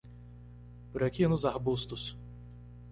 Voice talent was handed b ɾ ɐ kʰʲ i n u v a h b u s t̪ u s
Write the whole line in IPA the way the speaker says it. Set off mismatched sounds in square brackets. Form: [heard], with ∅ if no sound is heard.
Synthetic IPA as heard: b ɾ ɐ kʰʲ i n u [z] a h b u s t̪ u s